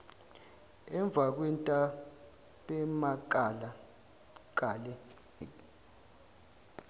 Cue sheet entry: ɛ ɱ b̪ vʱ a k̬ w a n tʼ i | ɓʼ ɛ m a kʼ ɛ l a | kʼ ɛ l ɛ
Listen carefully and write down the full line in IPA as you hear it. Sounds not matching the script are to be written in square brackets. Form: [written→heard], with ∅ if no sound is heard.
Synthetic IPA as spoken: ɛ ɱ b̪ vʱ a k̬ w [a→ɛ] n tʼ [i→a] | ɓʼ ɛ m a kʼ [ɛ→a] l a | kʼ [ɛ→a] l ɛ